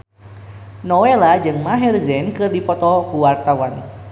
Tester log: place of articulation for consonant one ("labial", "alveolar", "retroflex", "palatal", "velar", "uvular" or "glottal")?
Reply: alveolar